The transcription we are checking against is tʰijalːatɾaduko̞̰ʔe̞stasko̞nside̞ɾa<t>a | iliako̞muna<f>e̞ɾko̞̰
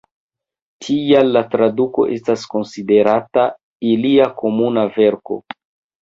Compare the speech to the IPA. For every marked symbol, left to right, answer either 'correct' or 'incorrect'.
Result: correct, incorrect: v

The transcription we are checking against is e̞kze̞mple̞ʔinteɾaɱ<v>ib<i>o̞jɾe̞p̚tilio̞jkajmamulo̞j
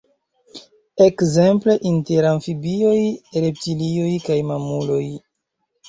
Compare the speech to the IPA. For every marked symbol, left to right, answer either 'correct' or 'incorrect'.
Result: incorrect: f, correct

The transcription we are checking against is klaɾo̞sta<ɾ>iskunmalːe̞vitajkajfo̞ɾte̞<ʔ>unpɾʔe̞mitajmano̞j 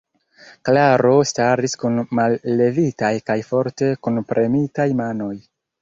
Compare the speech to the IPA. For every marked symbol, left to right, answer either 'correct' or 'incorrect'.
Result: correct, incorrect: k

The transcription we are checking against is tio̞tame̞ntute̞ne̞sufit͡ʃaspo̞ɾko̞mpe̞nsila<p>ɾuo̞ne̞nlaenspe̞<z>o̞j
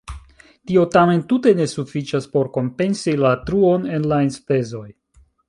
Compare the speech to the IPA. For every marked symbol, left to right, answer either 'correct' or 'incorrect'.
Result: incorrect: t, correct

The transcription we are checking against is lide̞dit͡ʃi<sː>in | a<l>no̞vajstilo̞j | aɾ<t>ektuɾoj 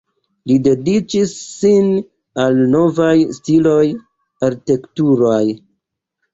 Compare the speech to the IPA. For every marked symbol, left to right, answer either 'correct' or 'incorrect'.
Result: correct, correct, correct

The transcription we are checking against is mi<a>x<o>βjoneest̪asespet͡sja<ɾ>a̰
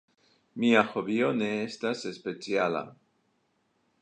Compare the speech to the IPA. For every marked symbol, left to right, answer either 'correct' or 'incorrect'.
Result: correct, correct, incorrect: l

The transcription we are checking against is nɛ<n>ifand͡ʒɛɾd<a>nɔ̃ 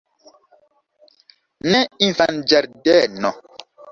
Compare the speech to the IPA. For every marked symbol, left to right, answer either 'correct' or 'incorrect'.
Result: incorrect: none, incorrect: ɛ

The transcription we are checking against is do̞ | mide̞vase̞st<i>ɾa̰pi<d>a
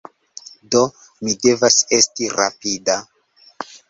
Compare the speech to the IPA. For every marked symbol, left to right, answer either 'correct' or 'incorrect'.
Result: correct, correct

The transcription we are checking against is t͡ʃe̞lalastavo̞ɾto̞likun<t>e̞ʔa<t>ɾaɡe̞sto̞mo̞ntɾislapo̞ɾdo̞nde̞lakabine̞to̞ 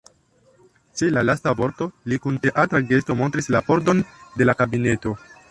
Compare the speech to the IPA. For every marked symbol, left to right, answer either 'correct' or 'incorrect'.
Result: correct, correct

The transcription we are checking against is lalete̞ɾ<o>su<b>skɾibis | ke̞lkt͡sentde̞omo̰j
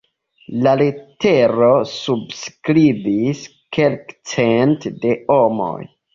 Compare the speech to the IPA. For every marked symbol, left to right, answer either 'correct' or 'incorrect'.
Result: correct, correct

